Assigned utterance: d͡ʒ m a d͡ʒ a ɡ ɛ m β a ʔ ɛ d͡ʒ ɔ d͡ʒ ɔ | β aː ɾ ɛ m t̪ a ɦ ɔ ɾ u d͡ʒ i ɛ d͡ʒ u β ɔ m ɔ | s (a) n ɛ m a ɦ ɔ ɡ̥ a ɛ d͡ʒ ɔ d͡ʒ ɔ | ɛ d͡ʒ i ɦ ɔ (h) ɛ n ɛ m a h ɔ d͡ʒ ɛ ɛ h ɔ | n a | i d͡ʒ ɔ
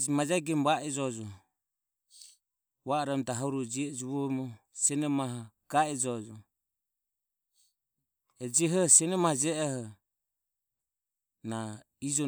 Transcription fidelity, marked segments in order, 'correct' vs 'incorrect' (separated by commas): incorrect, incorrect